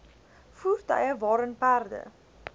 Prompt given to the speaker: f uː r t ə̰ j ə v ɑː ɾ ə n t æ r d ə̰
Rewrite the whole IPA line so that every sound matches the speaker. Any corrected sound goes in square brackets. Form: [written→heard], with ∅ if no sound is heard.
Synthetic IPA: f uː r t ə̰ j ə v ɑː ɾ ə n [t→p] æ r d ə̰